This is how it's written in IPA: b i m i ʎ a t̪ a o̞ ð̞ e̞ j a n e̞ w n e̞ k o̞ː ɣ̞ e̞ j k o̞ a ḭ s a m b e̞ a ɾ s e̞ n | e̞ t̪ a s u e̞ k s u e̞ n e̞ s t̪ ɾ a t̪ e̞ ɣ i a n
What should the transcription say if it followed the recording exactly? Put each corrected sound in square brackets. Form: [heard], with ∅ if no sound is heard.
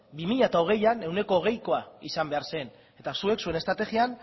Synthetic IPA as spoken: b i m i ʎ a t̪ a o̞ [ɣ̞] e̞ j a n e̞ w n e̞ k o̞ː ɣ̞ e̞ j k o̞ a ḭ s a m b e̞ a ɾ s e̞ n | e̞ t̪ a s u e̞ k s u e̞ n e̞ s t̪ ɾ a t̪ e̞ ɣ i a n

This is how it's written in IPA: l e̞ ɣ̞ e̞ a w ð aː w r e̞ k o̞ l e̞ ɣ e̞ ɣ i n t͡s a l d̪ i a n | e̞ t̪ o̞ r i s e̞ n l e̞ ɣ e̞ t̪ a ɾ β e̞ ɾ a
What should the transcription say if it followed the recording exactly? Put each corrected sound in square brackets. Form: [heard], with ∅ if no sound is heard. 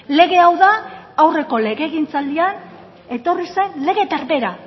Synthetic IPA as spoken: l e̞ ɣ̞ e̞ a w ð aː w r e̞ k o̞ l e̞ ɣ e̞ ɣ i n t͡s a l d̪ i a n | e̞ t̪ o̞ r i s e̞ n l e̞ ɣ e̞ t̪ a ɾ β e̞ ɾ a

